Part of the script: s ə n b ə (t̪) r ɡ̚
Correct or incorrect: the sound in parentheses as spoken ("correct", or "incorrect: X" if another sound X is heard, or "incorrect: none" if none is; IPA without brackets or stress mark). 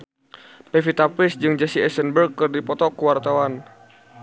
incorrect: none